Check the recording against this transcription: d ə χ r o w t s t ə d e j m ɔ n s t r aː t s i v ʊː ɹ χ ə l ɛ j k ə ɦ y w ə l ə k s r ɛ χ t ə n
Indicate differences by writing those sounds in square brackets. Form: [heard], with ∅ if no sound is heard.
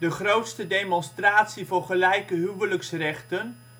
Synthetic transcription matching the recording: d ə χ r o w t s t ə d e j m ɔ n s t r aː t s i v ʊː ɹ χ ə l ɛ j k ə ɦ y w ə l ə k s r ɛ χ t ə n

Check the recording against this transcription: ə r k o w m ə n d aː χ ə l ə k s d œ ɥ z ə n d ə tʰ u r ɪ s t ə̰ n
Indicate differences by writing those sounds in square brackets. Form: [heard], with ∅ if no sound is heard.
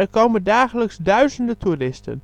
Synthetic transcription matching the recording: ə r k o w m ə n d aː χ ə l ə k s d œ ɥ z ə n d ə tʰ u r ɪ s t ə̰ n

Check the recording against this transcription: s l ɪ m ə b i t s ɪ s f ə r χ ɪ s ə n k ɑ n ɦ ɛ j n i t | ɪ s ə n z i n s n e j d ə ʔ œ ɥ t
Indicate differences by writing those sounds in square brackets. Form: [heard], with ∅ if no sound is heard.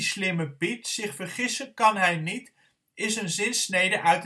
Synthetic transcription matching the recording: s l ɪ m ə b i t s ɪ [χ] f ə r χ ɪ s ə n k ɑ n ɦ ɛ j n i t | ɪ s ə n z [ɪ] n s n e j d ə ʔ œ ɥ t

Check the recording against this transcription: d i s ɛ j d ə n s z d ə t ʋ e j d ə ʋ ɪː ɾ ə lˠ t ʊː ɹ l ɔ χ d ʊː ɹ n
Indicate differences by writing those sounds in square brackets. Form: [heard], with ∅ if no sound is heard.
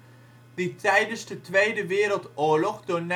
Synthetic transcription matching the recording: d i [t] ɛ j d ə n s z d ə t ʋ e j d ə ʋ ɪː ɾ ə lˠ t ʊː ɹ l ɔ χ d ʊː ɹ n

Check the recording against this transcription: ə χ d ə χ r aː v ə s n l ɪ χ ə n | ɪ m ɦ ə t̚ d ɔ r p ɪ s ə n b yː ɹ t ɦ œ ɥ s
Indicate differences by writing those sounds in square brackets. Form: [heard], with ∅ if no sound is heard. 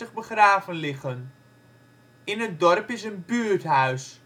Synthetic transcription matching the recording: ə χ [b] ə χ r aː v ə [∅] n l ɪ χ ə n | ɪ [n] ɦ ə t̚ d ɔ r p ɪ s ə n b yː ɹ t ɦ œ ɥ s

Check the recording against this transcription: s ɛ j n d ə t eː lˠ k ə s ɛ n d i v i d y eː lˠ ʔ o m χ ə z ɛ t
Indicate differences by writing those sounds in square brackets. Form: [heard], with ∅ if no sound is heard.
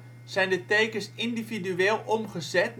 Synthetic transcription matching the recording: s ɛ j n d ə t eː [∅] k ə s [i] n d i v i d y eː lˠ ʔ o m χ ə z ɛ t

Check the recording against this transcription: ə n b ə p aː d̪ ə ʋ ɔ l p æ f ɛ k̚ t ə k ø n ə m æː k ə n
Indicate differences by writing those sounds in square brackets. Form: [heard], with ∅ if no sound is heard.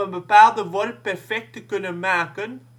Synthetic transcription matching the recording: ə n b ə p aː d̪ ə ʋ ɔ l p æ f ɛ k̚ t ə k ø n ə m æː k ə n

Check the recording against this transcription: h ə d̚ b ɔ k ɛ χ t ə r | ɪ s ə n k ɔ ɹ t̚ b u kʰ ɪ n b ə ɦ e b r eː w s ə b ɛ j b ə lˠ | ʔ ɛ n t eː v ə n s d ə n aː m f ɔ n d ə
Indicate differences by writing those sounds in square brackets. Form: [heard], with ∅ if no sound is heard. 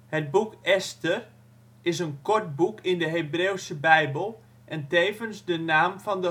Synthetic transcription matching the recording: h ə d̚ b [u] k ɛ [s] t ə r | ɪ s ə n k ɔ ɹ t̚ b u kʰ ɪ n [d] ə ɦ e b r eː w s ə b ɛ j b ə lˠ | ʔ ɛ n t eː v ə n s d ə n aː m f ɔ n d ə

